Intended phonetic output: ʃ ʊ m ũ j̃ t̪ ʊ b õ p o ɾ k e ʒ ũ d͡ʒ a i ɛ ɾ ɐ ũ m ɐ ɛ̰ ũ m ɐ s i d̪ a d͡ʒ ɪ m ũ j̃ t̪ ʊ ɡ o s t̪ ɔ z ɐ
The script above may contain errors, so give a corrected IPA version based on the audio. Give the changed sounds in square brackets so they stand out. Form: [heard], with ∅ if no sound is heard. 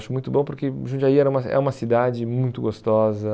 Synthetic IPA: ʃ ʊ m ũ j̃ t̪ ʊ b õ p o ɾ k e ʒ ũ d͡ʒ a i ɛ ɾ ɐ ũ m ɐ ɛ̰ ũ m ɐ s i d̪ a d͡ʒ ɪ m ũ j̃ t̪ ʊ ɡ o s t̪ ɔ z ɐ